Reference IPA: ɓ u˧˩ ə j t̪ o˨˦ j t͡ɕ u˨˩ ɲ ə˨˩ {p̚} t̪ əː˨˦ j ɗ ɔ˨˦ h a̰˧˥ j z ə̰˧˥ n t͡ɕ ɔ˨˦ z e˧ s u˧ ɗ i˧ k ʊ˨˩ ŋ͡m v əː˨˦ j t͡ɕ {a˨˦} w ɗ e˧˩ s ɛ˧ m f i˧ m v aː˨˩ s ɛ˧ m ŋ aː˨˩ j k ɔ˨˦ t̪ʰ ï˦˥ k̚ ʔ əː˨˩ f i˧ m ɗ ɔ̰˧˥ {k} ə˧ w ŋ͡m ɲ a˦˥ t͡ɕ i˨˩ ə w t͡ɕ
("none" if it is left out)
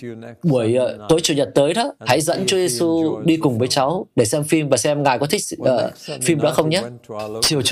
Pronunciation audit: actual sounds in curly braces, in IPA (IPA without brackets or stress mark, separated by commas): t̚, a˨˦, x